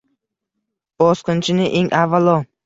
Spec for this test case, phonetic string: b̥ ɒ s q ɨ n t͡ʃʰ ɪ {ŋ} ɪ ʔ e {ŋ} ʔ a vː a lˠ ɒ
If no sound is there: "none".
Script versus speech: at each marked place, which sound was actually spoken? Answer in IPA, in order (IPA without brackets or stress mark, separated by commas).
n, ŋ